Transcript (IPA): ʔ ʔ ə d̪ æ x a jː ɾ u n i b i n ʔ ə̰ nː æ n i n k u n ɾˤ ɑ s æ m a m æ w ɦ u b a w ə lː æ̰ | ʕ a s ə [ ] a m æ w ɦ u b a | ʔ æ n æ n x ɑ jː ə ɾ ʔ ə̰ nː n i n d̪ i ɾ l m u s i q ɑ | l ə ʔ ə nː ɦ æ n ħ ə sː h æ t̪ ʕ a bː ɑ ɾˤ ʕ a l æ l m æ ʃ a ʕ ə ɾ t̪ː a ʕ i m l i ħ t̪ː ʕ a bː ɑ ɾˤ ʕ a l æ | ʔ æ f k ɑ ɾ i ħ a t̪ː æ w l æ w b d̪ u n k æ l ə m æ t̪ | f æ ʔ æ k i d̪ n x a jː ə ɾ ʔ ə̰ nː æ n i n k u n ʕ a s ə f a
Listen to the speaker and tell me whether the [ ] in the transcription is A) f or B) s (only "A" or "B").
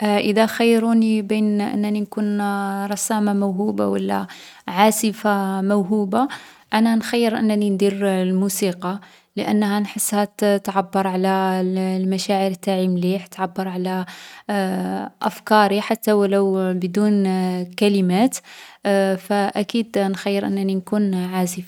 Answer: A